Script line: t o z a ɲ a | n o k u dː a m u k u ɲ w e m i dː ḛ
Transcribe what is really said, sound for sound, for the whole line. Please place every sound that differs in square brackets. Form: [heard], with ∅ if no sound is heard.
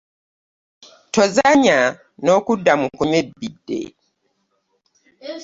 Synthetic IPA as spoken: t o z a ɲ a | n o k u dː a m u k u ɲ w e [b] i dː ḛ